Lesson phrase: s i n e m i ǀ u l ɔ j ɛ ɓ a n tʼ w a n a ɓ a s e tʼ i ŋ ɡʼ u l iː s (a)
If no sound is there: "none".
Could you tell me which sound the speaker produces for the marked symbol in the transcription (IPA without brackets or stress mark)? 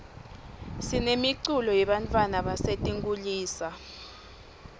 a